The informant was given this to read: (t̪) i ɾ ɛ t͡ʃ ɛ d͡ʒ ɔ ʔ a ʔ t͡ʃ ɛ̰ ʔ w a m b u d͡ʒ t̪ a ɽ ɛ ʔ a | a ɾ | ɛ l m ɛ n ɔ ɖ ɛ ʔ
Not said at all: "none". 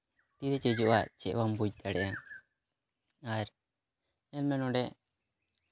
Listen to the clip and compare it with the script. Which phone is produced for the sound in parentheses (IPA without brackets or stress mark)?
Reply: t̪